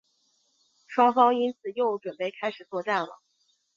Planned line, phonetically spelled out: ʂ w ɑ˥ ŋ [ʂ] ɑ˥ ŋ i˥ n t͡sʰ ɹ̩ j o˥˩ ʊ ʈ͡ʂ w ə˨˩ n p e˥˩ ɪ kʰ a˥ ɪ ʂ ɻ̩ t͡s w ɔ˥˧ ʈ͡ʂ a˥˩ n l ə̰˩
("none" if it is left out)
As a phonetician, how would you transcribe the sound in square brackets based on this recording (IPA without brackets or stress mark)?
f